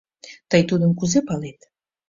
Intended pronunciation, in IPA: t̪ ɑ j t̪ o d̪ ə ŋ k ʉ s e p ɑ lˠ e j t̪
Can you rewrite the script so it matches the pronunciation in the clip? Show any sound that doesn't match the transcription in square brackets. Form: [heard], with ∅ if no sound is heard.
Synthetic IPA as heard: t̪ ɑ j t̪ [u] d̪ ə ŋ k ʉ [z] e p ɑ lˠ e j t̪

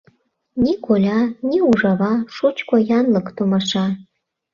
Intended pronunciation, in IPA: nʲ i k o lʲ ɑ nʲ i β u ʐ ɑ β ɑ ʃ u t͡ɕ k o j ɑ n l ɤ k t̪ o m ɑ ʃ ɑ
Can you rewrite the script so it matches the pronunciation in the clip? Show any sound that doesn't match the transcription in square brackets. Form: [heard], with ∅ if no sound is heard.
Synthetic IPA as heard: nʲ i k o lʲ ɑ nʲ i [∅] u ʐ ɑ β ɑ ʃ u t͡ɕ k o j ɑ n l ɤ k t̪ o m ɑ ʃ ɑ

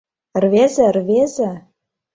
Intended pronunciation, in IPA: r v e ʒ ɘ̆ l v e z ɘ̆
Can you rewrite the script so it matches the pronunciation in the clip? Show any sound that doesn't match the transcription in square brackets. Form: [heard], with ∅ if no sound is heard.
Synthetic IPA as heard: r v e [z] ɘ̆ [r] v e z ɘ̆

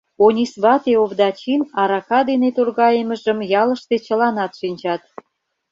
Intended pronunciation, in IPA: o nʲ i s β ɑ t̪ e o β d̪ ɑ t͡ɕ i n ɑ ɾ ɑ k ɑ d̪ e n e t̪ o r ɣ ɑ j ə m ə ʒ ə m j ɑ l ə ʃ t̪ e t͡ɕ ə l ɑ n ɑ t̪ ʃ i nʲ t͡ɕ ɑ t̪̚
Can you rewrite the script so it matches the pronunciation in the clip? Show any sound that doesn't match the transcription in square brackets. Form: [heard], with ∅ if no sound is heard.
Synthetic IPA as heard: o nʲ i s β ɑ t̪ e o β d̪ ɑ t͡ɕ i n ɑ ɾ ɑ k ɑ d̪ e n e t̪ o r ɣ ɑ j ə m ə ʒ ə m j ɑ l ə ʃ t̪ e t͡ɕ ə l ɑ n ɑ t̪ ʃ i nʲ t͡ɕ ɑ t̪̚

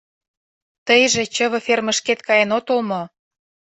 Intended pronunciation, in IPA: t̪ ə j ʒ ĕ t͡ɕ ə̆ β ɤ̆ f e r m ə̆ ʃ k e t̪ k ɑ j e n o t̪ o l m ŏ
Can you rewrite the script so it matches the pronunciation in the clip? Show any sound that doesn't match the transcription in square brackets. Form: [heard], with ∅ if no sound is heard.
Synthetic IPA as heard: t̪ ə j ʒ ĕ t͡ɕ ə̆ β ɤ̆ f e r m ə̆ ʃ k e t̪ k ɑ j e n o t̪ o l m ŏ

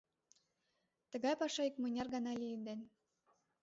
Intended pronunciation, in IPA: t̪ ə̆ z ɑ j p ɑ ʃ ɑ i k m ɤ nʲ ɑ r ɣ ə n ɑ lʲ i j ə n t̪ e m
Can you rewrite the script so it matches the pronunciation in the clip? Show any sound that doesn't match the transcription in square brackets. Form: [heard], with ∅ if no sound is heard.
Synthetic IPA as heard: t̪ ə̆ [ɣ] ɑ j p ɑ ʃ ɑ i k m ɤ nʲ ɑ r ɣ [ɑ] n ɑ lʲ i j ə n [d̪] e [n]

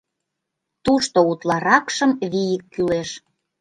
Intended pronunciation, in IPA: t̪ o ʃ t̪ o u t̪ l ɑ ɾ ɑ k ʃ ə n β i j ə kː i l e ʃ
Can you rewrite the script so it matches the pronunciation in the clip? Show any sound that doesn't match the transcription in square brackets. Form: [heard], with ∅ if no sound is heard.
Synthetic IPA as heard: t̪ [u] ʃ t̪ o u t̪ l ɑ ɾ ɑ k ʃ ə [m] β i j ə kː [y] l e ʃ

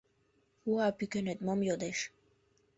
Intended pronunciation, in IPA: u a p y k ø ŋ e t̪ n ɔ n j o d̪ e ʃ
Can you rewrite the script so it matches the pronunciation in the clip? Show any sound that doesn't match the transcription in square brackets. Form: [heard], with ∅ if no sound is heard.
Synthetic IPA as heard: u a p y k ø [n] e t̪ [m] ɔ [m] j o d̪ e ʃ

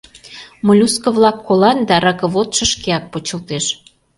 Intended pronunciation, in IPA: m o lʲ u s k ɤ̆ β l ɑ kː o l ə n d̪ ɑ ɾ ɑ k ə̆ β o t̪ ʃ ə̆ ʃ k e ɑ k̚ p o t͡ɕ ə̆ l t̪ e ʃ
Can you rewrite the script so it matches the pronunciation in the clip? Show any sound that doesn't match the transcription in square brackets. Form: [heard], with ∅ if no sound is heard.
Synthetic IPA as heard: m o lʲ u s k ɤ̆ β l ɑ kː o l [ɑ] n d̪ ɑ ɾ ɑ k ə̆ β o t̪ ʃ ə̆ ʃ k e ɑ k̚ p o t͡ɕ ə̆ l t̪ e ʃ

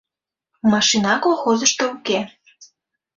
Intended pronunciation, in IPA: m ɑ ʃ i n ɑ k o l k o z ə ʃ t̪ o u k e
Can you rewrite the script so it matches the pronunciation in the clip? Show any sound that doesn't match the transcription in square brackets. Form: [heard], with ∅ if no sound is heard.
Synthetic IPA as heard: m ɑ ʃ i n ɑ k o l [x] o z ə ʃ t̪ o u k e

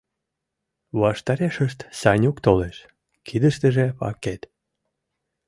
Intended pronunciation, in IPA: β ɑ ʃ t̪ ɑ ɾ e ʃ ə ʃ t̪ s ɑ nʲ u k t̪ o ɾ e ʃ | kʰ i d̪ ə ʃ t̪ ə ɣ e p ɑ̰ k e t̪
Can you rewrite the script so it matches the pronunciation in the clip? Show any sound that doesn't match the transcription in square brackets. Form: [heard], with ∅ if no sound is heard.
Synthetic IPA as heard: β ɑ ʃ t̪ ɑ ɾ e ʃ ə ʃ t̪ s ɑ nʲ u k t̪ o [l] e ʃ | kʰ i d̪ ə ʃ t̪ ə [ʒ] e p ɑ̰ k e t̪

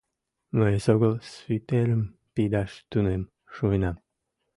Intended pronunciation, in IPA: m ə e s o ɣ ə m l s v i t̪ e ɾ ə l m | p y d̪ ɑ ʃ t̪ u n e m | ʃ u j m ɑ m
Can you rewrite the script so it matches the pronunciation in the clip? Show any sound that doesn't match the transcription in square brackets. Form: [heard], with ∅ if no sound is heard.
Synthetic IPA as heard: m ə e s o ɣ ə [∅] l s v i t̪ e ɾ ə [∅] m | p [i] d̪ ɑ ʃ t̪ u n e m | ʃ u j [n] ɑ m

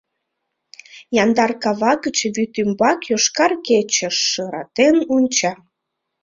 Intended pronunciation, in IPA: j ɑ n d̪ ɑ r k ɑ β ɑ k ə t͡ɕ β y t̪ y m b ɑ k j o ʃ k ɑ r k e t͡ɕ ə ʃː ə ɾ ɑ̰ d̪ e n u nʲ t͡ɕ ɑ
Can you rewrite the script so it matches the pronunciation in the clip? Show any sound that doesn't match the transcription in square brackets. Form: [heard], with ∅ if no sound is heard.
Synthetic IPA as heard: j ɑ n d̪ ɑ r k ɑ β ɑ k ə t͡ɕ β y t̪ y m b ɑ k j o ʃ k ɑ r k e t͡ɕ ə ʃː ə ɾ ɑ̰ [t̪] e n u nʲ t͡ɕ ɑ

